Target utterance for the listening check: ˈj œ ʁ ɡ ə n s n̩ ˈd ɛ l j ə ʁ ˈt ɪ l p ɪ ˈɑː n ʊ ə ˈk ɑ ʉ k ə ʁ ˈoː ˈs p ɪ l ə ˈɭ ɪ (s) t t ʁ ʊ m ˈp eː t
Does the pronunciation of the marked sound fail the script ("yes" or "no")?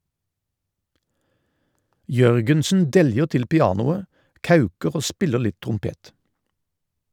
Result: yes